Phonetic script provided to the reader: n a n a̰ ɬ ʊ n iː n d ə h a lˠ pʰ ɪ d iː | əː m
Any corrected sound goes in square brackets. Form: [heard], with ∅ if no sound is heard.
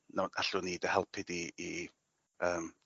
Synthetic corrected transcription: n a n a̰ ɬ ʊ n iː [∅] d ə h [ɛ] lˠ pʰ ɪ d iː | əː m

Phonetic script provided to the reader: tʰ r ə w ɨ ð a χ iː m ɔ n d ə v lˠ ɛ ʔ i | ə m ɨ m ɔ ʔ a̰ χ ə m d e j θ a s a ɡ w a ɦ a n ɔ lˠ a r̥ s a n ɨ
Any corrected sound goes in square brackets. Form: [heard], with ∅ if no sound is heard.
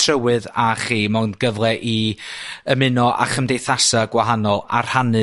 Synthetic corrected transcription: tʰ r ə w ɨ ð a χ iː m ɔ n [ɡ] ə v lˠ ɛ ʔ i | ə m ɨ [n] ɔ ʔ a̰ χ ə m d e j θ a s a ɡ w a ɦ a n ɔ lˠ a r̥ [h] a n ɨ

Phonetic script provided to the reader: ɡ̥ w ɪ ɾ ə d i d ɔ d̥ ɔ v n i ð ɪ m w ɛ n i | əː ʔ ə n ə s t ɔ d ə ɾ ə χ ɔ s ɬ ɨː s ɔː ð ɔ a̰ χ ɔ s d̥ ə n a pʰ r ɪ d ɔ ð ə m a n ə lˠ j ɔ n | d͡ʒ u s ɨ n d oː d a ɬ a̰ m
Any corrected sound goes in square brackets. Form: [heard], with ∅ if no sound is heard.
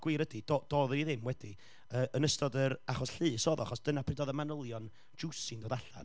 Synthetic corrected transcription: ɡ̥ w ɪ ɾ ə d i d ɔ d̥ ɔ [ð] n i ð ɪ m w ɛ [d] i | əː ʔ ə n ə s t ɔ d ə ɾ [a] χ ɔ s ɬ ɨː s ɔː ð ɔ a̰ χ ɔ s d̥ ə n a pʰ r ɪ d ɔ ð ə m a n ə lˠ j ɔ n | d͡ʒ u s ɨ n d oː d a ɬ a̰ [n]

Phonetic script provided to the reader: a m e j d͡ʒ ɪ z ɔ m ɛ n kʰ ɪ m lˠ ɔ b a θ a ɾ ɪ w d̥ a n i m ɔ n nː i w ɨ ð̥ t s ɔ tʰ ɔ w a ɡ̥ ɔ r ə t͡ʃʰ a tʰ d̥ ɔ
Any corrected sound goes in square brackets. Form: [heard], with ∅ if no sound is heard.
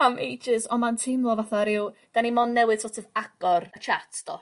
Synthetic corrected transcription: a m e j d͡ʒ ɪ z ɔ m [a] n [tʰ] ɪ m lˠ ɔ [v] a θ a ɾ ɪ w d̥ a n i m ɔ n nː [ɛ] w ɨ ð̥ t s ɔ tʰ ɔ [v] a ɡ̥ ɔ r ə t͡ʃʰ a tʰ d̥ ɔ

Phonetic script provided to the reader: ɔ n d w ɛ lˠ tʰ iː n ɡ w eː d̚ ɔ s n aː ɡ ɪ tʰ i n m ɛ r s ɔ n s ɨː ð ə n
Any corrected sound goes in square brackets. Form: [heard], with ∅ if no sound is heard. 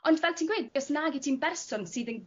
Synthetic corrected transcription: ɔ n d [v] ɛ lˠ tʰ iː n ɡ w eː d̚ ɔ s n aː ɡ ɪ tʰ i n [b] ɛ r s ɔ n s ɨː ð ə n

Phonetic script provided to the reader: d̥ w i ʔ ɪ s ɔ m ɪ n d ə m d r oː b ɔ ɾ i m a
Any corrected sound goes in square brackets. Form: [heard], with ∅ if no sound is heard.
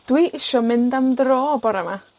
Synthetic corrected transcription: d̥ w i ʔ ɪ [ʃ] ɔ m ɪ n d [a] m d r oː b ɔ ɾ [a] m a

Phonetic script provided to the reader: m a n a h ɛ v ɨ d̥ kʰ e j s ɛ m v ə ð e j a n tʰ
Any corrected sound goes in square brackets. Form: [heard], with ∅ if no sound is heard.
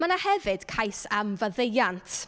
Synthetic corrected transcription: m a n a h ɛ v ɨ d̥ kʰ [a] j s [a] m v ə ð e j a n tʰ

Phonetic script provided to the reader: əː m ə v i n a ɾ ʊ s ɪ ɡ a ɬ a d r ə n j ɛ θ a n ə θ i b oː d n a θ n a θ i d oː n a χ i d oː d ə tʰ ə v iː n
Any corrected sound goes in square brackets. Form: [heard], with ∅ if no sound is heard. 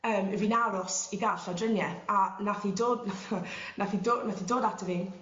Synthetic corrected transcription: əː m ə v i n a ɾ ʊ s [i] ɡ a ɬ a d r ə n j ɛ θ a n [a] θ i [d] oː d n a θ n a θ i d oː n a [θ] i d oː d [a] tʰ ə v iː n

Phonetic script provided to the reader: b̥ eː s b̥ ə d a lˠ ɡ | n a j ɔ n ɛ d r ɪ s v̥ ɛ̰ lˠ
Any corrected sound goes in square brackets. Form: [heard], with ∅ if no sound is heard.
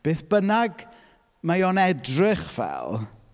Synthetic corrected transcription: b̥ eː [θ] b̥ ə [n] a [∅] ɡ | [m] a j ɔ n ɛ d r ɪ [χ] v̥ ɛ̰ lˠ

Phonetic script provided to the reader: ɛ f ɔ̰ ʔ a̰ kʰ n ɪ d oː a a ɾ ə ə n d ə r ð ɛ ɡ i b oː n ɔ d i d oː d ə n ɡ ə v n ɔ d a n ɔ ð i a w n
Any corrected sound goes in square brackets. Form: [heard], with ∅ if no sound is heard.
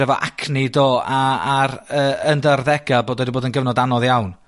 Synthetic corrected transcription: ɛ [v] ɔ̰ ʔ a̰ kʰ n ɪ d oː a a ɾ ə ə n d ə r ð ɛ ɡ [a] b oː [d] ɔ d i [b] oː d ə n ɡ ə v n ɔ d a n ɔ ð [j] a w n

